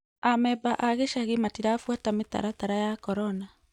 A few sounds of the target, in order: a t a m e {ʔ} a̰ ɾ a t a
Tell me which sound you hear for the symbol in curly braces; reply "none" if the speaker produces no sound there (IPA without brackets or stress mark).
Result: t